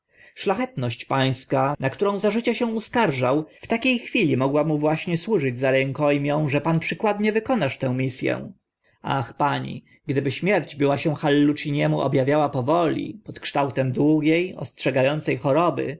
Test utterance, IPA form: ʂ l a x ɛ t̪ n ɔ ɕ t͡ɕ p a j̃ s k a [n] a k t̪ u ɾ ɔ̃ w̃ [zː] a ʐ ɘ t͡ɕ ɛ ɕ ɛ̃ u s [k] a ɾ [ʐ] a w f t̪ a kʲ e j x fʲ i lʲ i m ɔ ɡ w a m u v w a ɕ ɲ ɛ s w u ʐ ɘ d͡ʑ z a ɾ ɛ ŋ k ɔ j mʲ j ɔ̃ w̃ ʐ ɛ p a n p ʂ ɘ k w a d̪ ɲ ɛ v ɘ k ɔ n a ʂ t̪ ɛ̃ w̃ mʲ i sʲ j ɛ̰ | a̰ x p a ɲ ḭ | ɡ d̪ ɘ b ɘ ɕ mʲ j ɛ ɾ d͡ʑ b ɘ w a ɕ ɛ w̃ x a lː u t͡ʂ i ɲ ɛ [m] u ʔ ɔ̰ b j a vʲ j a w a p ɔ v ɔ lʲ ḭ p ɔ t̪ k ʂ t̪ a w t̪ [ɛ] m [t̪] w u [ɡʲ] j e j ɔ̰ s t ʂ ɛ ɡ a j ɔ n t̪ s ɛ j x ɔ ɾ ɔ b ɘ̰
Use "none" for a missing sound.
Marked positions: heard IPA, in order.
n, z, k, ʐ, m, ɛ, d̪, ɡʲ

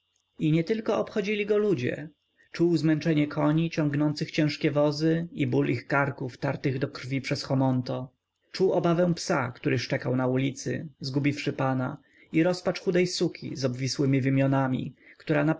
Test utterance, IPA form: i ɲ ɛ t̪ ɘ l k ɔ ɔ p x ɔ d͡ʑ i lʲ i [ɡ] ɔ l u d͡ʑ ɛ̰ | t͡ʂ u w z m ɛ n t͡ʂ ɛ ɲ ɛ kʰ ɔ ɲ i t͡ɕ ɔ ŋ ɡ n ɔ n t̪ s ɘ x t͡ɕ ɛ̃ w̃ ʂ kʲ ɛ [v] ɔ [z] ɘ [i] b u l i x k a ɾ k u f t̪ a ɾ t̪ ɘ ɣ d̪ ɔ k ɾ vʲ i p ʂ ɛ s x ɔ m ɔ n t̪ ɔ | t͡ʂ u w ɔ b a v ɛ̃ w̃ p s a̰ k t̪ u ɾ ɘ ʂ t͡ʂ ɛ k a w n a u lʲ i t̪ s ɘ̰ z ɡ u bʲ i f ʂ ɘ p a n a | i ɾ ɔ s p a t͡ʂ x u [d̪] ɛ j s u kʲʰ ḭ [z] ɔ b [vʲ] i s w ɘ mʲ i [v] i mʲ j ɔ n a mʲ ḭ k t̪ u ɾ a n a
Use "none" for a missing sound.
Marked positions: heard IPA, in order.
ɡ, v, z, i, d̪, z, vʲ, v

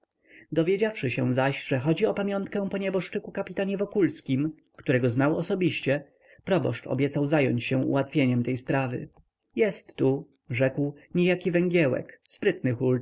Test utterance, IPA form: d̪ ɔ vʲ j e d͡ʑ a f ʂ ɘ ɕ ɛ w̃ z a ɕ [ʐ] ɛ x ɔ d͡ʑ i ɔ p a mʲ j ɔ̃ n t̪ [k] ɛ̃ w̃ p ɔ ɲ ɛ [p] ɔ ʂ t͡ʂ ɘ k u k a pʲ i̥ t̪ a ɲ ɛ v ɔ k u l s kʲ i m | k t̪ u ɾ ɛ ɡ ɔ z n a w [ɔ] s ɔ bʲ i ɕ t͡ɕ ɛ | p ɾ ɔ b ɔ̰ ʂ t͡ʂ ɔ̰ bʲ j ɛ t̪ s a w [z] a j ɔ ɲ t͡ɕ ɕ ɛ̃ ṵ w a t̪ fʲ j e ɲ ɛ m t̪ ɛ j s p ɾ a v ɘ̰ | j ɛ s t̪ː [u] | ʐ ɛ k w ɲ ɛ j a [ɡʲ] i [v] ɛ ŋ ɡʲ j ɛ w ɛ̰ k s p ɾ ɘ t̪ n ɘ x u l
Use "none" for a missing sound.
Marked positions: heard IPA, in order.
ʐ, k, b, ɔ, z, u, kʲ, v

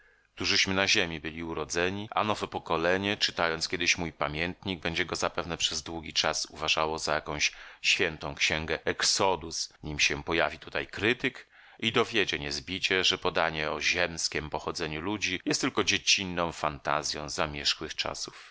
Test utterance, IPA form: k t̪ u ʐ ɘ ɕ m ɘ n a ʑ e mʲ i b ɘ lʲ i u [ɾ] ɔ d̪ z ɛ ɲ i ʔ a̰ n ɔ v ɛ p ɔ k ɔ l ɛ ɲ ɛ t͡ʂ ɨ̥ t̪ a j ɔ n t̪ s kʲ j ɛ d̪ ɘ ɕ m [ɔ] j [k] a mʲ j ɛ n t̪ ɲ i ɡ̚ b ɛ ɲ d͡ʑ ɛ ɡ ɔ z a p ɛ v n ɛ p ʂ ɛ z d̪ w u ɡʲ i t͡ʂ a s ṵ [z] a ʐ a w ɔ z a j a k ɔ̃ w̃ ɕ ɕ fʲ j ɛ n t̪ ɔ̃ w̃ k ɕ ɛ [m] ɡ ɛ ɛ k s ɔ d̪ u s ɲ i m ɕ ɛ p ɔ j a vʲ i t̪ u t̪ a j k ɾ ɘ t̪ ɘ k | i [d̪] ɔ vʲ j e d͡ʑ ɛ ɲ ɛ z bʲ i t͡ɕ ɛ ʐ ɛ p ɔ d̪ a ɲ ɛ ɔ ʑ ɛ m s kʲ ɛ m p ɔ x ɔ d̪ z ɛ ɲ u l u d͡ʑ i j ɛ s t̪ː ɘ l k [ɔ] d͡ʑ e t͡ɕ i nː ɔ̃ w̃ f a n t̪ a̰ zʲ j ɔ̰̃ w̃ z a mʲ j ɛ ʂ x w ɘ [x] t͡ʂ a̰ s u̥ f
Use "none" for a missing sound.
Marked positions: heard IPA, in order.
ɾ, u, p, v, ŋ, d̪, ɔ, x

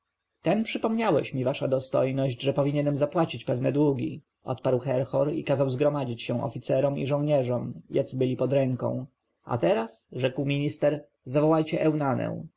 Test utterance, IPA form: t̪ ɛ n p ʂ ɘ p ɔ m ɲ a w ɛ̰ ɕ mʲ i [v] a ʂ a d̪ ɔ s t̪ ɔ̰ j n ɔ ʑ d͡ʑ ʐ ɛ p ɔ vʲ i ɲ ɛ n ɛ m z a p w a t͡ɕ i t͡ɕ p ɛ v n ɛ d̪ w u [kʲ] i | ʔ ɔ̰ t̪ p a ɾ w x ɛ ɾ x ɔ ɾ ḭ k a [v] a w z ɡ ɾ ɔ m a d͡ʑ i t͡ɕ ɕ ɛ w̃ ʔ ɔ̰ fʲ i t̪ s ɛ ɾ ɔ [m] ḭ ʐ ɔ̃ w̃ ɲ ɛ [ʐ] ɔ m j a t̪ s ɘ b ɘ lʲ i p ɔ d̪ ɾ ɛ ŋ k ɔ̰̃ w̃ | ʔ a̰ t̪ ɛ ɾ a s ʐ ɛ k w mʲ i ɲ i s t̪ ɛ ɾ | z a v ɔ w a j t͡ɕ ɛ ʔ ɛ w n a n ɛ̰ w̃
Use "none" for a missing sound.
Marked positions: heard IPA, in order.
v, ɡʲ, z, m, ʐ

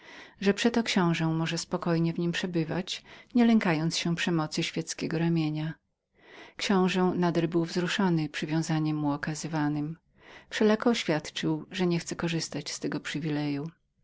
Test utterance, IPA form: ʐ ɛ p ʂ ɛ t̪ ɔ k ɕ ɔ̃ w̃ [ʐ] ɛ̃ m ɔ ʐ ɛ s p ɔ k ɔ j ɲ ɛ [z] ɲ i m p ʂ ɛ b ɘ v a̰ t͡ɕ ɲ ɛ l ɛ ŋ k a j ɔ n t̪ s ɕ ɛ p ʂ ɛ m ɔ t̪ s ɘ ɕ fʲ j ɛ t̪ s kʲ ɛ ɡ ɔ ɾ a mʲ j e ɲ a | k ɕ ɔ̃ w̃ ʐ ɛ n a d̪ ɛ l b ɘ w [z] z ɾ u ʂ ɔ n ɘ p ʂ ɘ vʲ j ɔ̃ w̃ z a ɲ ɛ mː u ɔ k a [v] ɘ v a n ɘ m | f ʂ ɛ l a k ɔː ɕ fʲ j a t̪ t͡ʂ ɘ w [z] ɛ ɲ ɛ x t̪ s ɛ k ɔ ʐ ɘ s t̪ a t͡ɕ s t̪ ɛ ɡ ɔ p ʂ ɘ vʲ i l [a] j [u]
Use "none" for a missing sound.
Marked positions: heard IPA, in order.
ʐ, v, v, z, ʐ, ɛ, u

